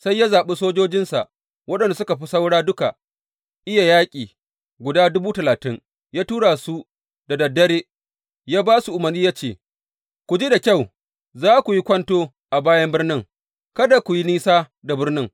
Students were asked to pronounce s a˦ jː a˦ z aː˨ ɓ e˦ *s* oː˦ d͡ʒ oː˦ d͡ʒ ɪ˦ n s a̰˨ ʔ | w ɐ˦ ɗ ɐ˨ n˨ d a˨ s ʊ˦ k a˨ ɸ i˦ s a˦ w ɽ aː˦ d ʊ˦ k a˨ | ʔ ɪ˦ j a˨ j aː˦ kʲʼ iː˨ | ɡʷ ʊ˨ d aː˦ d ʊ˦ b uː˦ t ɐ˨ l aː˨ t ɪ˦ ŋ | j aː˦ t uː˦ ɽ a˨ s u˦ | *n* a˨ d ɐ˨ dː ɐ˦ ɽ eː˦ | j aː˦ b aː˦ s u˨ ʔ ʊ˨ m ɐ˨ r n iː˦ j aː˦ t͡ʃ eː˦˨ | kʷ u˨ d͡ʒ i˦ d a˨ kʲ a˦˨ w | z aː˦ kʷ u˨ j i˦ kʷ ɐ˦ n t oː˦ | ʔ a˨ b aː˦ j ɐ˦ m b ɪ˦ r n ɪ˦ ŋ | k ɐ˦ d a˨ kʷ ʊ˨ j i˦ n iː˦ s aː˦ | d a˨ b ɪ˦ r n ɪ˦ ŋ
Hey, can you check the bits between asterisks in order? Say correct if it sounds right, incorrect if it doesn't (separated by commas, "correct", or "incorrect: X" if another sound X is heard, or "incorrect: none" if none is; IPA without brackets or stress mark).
correct, incorrect: d